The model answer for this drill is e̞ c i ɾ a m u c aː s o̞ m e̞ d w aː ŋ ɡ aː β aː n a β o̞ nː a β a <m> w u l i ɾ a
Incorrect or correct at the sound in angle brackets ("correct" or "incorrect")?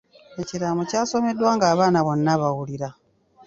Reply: incorrect